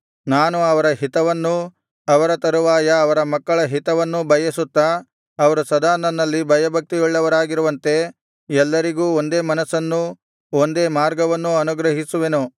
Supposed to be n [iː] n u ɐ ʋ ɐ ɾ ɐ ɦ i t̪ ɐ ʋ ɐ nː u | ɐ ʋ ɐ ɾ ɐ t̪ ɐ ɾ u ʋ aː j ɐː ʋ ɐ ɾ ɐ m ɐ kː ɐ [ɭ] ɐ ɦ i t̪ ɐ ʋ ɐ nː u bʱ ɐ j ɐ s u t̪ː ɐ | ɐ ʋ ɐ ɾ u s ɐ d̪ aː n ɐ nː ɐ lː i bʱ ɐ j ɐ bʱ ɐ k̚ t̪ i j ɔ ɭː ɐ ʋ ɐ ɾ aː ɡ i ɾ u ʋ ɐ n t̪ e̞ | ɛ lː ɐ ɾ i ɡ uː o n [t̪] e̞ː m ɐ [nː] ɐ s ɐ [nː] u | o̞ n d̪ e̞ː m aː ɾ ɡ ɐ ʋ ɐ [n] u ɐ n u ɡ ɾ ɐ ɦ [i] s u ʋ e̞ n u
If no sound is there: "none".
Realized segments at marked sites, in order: aː, ɭ, d̪, n, nː, nː, i

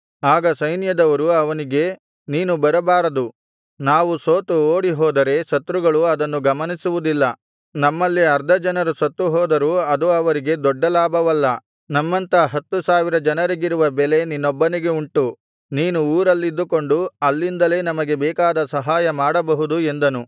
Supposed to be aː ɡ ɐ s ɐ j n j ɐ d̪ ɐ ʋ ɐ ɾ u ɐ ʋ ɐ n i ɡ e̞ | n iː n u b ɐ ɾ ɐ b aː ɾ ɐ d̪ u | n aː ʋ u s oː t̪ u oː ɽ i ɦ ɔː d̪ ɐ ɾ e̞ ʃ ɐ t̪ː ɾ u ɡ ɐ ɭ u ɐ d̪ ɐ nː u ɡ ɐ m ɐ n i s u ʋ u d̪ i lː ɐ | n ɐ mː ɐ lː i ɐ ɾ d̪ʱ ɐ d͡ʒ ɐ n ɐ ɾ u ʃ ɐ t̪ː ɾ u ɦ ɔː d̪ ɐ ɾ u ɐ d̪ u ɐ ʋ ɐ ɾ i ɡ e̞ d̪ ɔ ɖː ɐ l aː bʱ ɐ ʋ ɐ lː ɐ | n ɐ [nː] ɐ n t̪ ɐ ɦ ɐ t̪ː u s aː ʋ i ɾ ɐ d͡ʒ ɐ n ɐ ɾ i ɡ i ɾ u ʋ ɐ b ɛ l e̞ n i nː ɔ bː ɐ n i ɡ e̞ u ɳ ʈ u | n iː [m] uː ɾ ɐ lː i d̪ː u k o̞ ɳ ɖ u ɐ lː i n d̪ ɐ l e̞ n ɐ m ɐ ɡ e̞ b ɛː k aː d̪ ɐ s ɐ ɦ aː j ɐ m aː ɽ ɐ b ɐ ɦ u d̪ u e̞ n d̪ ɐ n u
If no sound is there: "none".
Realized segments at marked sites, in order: mː, n

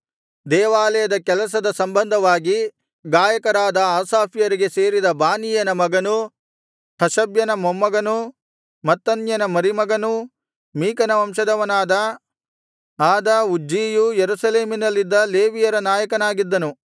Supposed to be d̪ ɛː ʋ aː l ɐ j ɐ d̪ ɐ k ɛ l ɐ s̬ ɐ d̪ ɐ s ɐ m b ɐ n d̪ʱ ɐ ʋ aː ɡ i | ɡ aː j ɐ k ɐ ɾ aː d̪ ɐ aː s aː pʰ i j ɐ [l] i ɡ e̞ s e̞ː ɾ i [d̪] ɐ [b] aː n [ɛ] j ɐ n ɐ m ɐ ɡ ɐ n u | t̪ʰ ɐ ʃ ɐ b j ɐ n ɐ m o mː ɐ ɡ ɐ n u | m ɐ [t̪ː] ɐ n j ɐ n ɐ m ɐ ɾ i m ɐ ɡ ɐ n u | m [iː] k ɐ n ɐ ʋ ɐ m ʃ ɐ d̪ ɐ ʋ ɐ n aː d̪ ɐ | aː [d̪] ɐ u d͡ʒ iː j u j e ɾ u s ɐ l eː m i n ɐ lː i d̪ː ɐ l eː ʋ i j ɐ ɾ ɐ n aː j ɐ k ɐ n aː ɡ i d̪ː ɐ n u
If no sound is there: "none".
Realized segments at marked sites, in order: ɾ, d̪, b, i, t̪ː, iː, d̪

